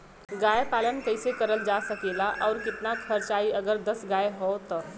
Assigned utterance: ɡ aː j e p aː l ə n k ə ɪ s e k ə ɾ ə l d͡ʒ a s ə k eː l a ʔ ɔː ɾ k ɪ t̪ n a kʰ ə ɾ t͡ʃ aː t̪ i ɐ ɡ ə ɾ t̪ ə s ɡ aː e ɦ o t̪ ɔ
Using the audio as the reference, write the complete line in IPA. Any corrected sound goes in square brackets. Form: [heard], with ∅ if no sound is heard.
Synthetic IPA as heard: ɡ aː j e p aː l ə n k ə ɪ s e k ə ɾ ə l d͡ʒ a s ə k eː l a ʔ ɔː ɾ k ɪ t̪ n a kʰ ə ɾ t͡ʃ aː [∅] i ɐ ɡ ə ɾ [d̪] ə s ɡ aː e ɦ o t̪ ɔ